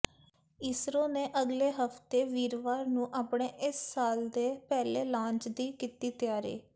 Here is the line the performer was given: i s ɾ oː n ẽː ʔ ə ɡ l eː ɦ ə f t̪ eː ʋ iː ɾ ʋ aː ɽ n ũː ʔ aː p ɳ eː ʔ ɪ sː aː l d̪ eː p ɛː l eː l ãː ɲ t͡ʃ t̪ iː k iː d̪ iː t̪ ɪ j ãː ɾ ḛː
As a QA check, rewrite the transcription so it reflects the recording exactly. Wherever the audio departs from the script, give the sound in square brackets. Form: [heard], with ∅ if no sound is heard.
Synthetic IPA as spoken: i s ɾ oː n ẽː ʔ ə ɡ l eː ɦ ə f t̪ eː ʋ iː ɾ ʋ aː [ɾ] n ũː ʔ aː p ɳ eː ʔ ɪ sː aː l d̪ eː p ɛː l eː l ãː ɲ t͡ʃ [d̪] iː k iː [t̪] iː t̪ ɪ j [aː] ɾ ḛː